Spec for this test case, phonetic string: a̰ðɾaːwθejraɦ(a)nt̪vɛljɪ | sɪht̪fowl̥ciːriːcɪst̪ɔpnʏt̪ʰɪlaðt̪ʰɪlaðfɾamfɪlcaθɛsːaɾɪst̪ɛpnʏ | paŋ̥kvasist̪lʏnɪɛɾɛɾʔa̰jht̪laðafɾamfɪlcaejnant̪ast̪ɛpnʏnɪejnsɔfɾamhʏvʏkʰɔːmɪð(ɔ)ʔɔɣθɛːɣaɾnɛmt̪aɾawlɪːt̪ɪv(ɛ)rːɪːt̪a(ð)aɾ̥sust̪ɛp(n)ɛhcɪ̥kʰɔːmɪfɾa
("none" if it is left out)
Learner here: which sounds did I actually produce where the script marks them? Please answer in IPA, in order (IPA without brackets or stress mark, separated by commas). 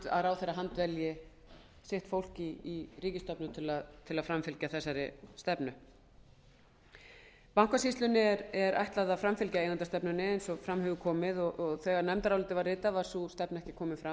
a, ɔ, a, v, n